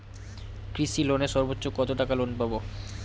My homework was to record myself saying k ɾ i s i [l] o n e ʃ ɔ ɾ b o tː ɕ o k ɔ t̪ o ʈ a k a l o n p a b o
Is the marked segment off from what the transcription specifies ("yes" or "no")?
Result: no